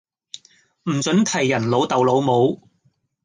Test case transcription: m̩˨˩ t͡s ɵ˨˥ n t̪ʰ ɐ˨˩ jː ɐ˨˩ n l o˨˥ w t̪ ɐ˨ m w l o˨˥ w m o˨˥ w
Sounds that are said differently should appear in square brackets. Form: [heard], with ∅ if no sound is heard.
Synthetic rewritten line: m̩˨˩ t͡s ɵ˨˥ n t̪ʰ ɐ˨˩ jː ɐ˨˩ n l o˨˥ w t̪ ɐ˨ [∅] w l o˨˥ w m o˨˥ w

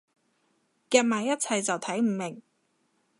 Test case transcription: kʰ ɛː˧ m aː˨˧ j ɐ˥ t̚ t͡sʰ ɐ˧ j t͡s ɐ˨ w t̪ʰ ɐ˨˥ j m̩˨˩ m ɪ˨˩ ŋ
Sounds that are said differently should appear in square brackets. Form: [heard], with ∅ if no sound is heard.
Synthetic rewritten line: [k] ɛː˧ m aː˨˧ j ɐ˥ t̚ t͡sʰ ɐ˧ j t͡s ɐ˨ w t̪ʰ ɐ˨˥ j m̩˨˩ m ɪ˨˩ ŋ

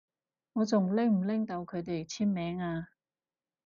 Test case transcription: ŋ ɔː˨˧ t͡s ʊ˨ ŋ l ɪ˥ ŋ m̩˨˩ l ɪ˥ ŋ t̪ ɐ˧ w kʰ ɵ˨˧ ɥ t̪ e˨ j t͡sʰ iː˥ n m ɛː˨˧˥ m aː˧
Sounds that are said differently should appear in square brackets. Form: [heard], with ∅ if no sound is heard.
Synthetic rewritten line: ŋ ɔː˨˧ t͡s ʊ˨ ŋ l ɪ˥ ŋ m̩˨˩ l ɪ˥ ŋ t̪ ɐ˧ w kʰ ɵ˨˧ ɥ t̪ e˨ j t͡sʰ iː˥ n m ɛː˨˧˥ [ŋ] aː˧

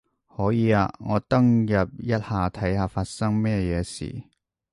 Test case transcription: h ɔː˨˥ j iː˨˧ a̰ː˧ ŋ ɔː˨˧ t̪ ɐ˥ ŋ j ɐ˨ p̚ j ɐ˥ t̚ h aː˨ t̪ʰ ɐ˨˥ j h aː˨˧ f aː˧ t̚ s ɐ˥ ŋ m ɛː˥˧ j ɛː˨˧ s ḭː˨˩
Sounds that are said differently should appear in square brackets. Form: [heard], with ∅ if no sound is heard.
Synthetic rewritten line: h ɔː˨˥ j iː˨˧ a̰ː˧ ŋ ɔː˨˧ t̪ ɐ˥ ŋ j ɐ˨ p̚ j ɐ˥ t̚ h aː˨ t̪ʰ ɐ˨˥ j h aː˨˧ f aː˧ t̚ s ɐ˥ ŋ m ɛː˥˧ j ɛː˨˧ s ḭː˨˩

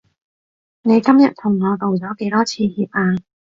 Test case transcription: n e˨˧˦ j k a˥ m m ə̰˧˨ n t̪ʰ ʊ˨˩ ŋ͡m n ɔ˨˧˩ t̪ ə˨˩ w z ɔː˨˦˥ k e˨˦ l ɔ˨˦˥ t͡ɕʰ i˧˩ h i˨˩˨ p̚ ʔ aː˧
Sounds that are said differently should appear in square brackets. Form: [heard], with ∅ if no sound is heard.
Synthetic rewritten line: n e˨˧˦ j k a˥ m [ɲ] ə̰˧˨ n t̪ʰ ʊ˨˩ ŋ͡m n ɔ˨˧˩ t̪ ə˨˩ w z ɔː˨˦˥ k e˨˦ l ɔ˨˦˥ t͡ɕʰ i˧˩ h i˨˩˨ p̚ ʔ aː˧

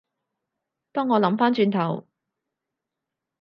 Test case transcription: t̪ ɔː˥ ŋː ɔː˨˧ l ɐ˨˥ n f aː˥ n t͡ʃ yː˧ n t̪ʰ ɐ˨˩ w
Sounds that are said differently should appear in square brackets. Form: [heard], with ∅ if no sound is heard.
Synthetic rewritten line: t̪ ɔː˥ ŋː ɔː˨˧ l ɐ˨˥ [m] f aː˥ n t͡ʃ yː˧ n t̪ʰ ɐ˨˩ w

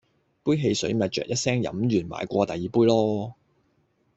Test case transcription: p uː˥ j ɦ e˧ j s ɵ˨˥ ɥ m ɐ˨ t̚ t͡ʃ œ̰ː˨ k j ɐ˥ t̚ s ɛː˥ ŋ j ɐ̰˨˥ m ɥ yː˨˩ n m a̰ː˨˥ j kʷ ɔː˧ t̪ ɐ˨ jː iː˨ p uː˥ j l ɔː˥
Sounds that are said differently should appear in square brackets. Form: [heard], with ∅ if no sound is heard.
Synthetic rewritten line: p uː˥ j ɦ e˧ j s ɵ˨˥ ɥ m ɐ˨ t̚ t͡ʃ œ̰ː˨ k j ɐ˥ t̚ s ɛː˥ ŋ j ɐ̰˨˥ m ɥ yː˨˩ n m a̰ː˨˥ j kʷ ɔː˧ t̪ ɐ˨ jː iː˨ p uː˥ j l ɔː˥

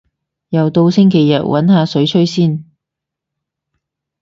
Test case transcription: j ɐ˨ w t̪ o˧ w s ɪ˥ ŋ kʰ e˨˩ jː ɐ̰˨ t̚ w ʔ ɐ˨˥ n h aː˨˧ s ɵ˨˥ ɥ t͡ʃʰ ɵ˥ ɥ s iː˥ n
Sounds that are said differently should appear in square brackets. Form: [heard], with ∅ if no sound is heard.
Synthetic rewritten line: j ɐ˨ w t̪ o˧ w s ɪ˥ ŋ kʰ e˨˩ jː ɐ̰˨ t̚ w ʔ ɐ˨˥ n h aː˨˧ s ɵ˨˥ ɥ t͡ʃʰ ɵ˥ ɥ s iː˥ n

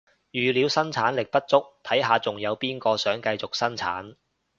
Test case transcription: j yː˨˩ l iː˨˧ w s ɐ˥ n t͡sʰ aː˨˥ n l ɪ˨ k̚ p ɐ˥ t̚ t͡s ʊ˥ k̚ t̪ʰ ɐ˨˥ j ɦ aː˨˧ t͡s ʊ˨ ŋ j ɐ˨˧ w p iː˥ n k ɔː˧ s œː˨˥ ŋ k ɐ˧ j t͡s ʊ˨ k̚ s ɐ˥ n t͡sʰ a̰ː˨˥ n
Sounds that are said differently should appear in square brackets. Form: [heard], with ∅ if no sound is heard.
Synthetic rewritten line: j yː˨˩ l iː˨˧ w s ɐ˥ n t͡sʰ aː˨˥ n l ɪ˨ k̚ p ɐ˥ t̚ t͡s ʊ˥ k̚ t̪ʰ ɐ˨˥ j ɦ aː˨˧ t͡s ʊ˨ ŋ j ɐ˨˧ w p iː˥ n k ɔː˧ s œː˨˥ ŋ k ɐ˧ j t͡s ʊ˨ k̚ s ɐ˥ n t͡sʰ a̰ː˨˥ n

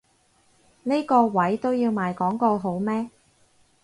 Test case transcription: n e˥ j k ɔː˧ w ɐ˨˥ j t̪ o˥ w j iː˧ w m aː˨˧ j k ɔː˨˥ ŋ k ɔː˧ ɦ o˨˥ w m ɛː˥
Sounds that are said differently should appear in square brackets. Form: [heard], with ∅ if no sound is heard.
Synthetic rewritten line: n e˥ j k ɔː˧ w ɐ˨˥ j t̪ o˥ w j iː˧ w m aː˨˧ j k ɔː˨˥ ŋ k ɔː˧ ɦ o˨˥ w m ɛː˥

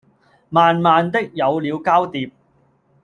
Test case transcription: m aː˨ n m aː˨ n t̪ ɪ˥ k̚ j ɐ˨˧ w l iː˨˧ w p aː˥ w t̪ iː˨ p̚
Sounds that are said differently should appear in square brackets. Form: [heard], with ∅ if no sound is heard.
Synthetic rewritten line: m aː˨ n m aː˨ n t̪ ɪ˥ k̚ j ɐ˨˧ w l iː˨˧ w [k] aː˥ w t̪ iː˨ p̚

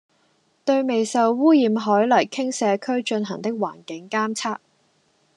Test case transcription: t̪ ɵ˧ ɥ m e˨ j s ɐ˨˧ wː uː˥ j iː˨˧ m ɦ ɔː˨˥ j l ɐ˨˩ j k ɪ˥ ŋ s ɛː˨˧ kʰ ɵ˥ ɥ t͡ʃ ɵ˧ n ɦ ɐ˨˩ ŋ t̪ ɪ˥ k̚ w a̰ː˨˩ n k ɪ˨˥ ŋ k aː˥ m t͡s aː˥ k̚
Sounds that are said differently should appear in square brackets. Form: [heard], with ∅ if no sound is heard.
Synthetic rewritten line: t̪ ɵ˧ ɥ m e˨ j s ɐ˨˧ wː uː˥ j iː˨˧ m ɦ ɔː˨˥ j l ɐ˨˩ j [kʰ] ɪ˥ ŋ s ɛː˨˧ kʰ ɵ˥ ɥ t͡ʃ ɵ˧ n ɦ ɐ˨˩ ŋ t̪ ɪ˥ k̚ w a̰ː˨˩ n k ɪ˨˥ ŋ k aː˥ m [t͡sʰ] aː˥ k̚

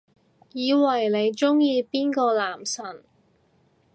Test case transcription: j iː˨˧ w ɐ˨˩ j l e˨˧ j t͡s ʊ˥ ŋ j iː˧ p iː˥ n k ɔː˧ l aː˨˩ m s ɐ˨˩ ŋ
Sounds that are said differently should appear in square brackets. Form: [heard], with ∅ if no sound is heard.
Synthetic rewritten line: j iː˨˧ w ɐ˨˩ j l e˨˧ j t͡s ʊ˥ ŋ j iː˧ p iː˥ n k ɔː˧ l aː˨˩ m s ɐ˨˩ [n]

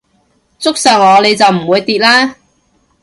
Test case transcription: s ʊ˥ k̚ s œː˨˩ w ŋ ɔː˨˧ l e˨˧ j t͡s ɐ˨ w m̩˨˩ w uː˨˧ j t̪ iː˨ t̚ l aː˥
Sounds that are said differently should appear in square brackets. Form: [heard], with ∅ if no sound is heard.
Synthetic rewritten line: [t͡s] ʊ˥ k̚ s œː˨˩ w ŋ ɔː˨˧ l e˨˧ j t͡s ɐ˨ w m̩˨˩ w uː˨˧ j t̪ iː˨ t̚ l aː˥

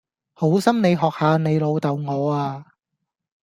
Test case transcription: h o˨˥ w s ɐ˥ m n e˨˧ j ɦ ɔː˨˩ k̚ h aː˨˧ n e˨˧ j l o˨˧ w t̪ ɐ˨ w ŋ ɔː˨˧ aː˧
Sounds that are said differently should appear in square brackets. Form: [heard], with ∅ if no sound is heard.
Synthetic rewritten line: h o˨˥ w s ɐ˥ m n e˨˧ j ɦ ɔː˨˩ k̚ h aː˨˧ n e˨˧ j l o˨˧ w t̪ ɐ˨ w ŋ ɔː˨˧ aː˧

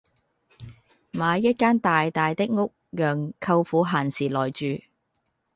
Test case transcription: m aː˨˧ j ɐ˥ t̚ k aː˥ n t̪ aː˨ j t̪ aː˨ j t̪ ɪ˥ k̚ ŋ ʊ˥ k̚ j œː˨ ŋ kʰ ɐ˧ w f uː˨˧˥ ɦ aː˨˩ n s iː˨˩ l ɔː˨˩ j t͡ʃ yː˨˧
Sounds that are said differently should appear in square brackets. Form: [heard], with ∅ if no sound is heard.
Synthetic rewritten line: m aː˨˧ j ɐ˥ t̚ k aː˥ n t̪ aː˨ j t̪ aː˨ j t̪ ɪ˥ k̚ ŋ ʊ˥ k̚ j œː˨ ŋ kʰ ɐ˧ w f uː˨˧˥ ɦ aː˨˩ n s iː˨˩ l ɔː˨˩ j t͡ʃ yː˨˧

